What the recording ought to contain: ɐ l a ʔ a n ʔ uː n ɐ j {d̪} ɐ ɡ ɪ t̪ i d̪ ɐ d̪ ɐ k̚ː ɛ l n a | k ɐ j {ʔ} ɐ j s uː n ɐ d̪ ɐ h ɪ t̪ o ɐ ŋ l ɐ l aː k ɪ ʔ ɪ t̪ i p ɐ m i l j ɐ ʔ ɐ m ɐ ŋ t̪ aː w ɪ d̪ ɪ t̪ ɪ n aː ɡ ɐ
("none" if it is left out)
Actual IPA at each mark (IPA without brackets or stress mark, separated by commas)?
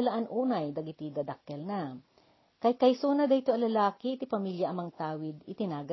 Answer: d̪, k